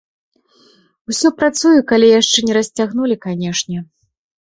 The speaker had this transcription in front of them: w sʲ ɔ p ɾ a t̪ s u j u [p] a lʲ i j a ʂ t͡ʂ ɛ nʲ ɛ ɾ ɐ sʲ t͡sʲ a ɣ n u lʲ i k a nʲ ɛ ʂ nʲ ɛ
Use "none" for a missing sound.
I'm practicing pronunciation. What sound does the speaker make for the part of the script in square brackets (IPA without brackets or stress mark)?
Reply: k